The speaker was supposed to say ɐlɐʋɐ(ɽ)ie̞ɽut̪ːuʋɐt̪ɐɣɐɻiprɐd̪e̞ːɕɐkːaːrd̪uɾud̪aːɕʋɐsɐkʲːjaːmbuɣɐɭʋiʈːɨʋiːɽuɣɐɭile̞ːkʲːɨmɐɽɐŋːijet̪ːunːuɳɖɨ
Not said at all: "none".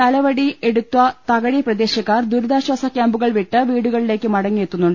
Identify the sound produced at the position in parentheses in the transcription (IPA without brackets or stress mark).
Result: ɽ